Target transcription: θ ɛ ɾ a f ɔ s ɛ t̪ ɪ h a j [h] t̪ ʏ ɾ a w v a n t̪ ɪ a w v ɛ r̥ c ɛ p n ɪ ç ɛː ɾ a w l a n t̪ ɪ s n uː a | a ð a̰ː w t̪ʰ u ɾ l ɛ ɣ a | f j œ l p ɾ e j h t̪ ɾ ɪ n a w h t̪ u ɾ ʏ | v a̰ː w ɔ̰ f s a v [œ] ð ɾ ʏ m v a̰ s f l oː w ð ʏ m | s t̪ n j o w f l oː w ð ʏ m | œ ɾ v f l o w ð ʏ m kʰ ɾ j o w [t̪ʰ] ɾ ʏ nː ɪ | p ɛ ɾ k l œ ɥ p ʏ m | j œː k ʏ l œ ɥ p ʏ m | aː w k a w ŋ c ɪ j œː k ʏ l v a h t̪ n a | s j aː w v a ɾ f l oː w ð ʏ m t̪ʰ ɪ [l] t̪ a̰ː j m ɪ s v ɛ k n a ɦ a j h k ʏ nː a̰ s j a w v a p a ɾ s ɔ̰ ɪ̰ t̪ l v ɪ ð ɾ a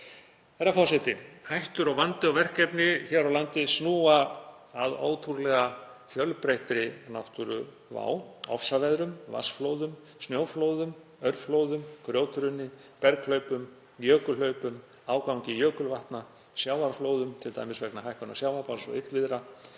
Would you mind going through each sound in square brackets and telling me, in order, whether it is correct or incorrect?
correct, incorrect, incorrect, correct

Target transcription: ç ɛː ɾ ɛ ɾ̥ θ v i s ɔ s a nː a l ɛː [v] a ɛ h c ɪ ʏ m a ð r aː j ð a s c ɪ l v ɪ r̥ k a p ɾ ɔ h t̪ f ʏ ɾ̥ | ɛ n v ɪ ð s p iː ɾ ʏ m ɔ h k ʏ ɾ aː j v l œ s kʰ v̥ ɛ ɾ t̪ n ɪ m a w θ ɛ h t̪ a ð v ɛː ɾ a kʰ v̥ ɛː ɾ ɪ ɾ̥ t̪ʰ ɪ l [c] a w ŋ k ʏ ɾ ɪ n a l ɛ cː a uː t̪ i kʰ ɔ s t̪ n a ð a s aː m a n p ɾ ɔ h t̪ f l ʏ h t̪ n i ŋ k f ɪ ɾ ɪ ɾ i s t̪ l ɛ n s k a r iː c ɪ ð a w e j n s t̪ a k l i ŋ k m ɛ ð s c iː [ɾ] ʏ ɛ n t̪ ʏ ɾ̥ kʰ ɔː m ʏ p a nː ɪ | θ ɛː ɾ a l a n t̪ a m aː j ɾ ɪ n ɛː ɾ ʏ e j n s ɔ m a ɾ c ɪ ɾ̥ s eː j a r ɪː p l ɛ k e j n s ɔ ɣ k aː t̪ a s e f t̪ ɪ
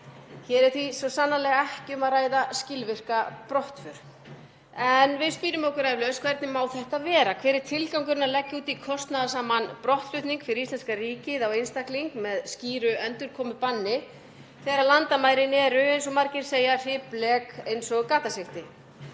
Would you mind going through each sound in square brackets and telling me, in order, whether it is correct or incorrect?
incorrect, incorrect, correct

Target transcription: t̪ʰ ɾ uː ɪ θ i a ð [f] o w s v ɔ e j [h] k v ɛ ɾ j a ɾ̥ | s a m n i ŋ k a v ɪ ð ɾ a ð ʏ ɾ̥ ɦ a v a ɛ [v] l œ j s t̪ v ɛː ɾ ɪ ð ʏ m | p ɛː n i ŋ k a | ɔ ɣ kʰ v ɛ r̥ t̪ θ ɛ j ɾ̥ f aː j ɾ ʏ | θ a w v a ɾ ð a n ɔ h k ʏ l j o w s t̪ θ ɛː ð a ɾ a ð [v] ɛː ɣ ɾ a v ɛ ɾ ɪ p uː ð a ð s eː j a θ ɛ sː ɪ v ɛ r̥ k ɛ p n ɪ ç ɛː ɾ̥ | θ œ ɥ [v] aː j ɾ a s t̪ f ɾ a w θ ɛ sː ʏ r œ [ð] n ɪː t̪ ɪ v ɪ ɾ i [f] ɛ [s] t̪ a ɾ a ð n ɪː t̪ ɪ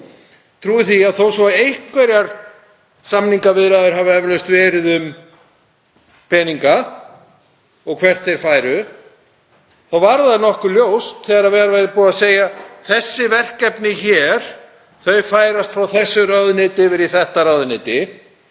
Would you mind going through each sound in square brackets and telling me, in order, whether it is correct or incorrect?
incorrect, correct, correct, correct, incorrect, correct, incorrect, incorrect

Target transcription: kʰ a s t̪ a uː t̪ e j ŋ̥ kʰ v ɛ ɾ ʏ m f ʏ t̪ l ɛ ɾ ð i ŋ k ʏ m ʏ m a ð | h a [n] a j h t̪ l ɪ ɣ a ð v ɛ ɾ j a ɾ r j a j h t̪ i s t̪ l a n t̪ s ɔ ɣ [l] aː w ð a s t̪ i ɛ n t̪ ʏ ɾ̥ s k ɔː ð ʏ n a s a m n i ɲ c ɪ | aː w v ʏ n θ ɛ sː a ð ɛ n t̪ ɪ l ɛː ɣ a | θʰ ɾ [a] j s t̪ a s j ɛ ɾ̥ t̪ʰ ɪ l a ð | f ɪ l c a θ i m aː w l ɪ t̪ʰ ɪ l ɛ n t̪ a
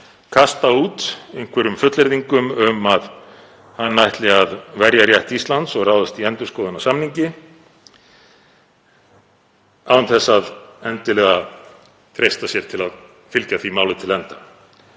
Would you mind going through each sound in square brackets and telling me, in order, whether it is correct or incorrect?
incorrect, incorrect, incorrect

